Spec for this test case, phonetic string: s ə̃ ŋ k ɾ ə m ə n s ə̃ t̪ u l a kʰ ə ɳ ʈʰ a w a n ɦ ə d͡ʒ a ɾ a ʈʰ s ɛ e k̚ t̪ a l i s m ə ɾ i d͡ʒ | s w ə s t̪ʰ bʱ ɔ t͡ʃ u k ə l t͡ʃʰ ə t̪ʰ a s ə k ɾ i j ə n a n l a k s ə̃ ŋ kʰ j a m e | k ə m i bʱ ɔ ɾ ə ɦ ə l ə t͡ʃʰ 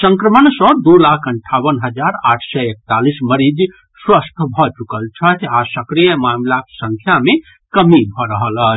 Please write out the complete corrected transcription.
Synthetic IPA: s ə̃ ŋ k ɾ ə m ə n s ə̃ d̪ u l a kʰ ə ɳ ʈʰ a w ə n ɦ ə d͡ʒ a ɾ a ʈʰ s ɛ e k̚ t̪ a l i s m ə ɾ i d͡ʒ | s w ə s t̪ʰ bʱ ɔ t͡ʃ u k ə l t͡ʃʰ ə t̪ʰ a s ə k ɾ i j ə m a m l a k s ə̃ ŋ kʰ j a m e | k ə m i bʱ ɔ ɾ ə ɦ ə l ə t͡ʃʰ